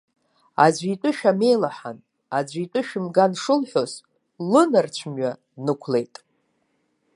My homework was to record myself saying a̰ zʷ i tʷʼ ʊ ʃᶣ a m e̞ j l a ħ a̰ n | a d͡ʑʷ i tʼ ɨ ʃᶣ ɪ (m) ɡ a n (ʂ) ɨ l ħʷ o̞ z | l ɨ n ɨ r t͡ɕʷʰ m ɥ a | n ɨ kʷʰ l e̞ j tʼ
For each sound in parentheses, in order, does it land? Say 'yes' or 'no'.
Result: yes, yes

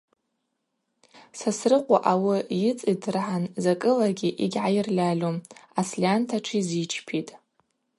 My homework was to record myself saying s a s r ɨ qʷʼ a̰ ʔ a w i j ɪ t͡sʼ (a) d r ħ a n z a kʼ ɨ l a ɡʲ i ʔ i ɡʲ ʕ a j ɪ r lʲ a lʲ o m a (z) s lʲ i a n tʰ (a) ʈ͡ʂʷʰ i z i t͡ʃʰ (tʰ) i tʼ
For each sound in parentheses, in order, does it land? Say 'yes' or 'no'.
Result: no, no, yes, no

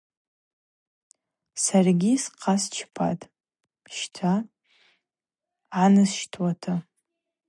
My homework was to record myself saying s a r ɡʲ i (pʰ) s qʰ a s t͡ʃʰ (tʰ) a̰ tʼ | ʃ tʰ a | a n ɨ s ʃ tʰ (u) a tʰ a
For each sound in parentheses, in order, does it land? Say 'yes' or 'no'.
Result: no, no, no

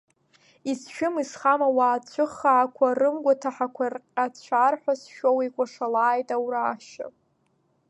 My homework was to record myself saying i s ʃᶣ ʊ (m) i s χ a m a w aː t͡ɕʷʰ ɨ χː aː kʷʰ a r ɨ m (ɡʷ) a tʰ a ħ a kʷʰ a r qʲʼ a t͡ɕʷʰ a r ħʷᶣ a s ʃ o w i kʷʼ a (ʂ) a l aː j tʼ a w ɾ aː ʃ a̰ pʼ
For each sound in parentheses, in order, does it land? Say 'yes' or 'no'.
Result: yes, yes, yes

